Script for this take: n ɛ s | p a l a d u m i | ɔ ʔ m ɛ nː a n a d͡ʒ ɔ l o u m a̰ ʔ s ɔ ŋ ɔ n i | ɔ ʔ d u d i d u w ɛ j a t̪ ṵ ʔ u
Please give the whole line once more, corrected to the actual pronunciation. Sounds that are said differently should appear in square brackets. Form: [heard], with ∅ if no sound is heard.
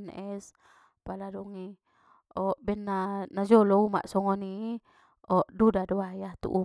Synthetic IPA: n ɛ s | p a l a d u [ŋ] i | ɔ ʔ [b] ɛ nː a n a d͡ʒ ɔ l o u m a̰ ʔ s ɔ ŋ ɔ n i | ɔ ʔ d u d [a] d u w [a] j a t̪ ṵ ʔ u

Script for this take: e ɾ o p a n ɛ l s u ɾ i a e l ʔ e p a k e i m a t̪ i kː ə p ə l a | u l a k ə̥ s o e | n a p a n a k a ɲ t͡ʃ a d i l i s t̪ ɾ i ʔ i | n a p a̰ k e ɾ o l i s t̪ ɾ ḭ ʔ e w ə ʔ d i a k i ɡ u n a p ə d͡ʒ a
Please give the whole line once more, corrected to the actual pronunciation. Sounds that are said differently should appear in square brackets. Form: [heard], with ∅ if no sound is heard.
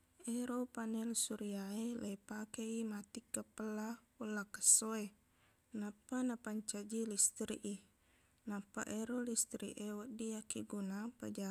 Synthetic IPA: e ɾ o p a n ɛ l s u ɾ i a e l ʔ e p a k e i m a t̪ i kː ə p ə l a | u l a k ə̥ s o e | n a p a n a [p] a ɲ t͡ʃ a [d͡ʒ] i l i s t̪ ɾ i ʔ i | n a p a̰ [ʔ] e ɾ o l i s t̪ ɾ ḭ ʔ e w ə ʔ d i a k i ɡ u n a p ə d͡ʒ a

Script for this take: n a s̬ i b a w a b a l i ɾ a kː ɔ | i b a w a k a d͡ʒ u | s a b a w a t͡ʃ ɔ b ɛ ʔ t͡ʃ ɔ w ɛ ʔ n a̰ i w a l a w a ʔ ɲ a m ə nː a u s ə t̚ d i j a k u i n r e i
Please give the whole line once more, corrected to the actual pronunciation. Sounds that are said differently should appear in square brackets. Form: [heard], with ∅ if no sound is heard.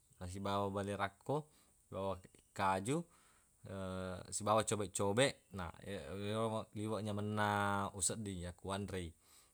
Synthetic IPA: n a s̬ i b a w a b a l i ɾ a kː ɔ | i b a w a k a d͡ʒ u | s [i] b a w a t͡ʃ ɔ b ɛ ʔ t͡ʃ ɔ [b] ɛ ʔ n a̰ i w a l [i] w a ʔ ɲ a m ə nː a u s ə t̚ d i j a k u [a] n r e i

